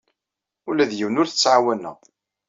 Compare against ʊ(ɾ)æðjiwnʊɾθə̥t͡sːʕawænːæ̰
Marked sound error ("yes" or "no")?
yes